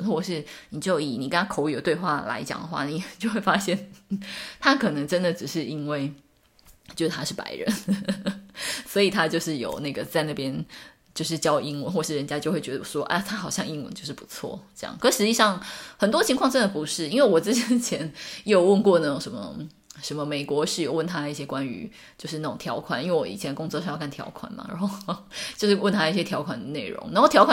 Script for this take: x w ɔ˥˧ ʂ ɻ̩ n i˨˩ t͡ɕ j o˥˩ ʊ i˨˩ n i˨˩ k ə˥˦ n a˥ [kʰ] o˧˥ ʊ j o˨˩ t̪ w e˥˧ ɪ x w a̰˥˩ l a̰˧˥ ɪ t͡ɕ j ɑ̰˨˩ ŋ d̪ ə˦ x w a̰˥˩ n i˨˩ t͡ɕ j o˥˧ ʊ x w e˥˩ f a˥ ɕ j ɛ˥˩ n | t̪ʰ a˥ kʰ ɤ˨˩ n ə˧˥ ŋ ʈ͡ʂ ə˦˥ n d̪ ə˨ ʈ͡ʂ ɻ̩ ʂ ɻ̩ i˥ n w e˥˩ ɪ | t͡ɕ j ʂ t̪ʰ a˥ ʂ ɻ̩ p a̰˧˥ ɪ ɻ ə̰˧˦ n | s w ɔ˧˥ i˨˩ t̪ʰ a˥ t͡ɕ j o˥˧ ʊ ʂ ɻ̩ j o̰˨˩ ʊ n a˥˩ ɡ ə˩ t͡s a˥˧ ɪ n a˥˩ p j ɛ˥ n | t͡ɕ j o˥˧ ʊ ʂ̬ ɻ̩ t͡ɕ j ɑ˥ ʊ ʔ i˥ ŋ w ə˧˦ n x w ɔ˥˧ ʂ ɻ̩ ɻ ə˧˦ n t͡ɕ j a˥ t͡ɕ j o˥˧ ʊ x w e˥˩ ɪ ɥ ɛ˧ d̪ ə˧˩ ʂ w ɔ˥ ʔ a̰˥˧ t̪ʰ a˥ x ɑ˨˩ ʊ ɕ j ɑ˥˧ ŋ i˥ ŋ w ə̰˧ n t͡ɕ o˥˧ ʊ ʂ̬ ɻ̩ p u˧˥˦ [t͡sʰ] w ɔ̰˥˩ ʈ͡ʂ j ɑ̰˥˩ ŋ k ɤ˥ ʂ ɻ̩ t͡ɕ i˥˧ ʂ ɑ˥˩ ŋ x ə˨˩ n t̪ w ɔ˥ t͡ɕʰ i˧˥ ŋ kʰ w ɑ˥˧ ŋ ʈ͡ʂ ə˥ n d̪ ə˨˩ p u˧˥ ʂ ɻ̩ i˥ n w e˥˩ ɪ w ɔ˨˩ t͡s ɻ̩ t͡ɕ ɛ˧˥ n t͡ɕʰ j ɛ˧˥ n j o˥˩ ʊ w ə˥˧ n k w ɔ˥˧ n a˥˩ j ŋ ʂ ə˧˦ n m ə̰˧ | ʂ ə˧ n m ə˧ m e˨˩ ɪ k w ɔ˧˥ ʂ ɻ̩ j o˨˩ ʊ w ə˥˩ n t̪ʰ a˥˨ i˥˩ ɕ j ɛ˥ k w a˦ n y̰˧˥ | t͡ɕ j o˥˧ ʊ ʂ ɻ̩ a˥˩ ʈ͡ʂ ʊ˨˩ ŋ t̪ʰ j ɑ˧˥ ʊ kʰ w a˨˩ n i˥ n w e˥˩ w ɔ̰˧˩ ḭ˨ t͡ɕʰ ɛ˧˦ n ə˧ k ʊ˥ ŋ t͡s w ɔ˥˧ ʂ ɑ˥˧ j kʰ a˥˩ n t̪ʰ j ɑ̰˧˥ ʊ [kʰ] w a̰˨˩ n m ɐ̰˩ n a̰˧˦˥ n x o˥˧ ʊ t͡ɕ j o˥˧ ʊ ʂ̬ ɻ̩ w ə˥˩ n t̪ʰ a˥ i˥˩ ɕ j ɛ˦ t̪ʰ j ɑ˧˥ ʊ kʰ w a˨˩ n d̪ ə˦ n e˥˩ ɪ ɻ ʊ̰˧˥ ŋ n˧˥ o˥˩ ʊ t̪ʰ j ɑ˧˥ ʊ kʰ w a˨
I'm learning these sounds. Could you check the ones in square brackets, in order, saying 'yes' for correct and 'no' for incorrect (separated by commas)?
yes, yes, yes